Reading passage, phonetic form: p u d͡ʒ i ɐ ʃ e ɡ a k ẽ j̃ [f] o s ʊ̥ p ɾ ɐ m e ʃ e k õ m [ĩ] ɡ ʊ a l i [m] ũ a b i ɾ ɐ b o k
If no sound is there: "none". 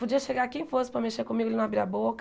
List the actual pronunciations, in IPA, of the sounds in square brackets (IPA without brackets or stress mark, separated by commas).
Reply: f, i, n